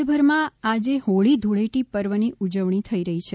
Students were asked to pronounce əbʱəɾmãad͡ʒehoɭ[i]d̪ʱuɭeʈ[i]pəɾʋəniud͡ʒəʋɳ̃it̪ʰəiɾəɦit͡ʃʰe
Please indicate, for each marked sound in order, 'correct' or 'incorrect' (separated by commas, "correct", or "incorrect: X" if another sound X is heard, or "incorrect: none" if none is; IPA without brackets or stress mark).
correct, correct